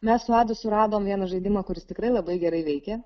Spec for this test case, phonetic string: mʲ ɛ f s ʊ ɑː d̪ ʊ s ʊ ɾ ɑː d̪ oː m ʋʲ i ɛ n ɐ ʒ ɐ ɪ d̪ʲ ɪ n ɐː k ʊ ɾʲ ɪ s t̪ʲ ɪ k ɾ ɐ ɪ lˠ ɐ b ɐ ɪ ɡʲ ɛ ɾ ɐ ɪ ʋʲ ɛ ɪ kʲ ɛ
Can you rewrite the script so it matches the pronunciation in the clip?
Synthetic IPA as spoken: mʲ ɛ s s ʊ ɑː d̪ ʊ s ʊ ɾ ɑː d̪ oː m ʋʲ i ɛ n ɐ ʒ ɐ ɪ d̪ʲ ɪ m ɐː k ʊ ɾʲ ɪ s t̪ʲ ɪ k ɾ ɐ ɪ lˠ ɐ b ɐ ɪ ɡʲ ɛ ɾ ɐ ɪ ʋʲ ɛ ɪ kʲ ɛ